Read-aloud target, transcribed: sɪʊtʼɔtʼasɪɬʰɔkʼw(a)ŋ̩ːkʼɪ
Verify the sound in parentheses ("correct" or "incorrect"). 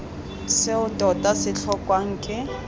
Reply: correct